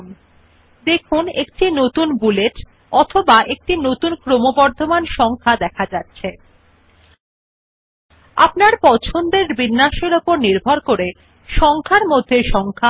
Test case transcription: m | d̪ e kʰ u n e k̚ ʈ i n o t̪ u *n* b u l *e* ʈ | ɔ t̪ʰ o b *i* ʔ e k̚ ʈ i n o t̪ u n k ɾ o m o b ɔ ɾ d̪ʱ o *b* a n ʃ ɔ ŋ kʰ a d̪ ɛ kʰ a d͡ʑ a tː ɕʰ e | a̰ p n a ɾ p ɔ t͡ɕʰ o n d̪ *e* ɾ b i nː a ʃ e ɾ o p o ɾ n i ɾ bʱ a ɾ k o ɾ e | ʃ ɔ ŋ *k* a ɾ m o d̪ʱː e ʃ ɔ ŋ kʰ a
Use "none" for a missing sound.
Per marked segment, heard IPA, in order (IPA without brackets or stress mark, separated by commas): n, e, a, m, e, kʰ